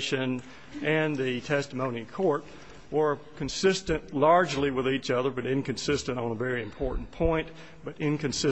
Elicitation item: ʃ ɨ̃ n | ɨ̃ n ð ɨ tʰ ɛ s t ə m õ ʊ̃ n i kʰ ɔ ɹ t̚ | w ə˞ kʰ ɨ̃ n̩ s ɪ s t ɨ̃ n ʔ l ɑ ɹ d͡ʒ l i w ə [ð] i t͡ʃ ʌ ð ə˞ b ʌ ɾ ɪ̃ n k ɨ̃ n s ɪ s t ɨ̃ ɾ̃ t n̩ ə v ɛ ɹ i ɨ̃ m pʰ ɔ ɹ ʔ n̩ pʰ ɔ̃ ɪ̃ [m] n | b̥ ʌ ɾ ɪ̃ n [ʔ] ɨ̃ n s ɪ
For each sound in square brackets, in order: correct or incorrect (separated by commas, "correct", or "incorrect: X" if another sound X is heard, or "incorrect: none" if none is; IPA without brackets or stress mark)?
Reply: correct, incorrect: none, incorrect: k